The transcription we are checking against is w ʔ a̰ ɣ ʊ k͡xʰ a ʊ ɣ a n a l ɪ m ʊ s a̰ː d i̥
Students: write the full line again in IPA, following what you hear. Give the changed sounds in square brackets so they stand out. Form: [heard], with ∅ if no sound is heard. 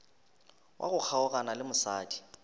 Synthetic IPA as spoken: w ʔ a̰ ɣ ʊ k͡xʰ a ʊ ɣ a n a l ɪ m ʊ s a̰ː d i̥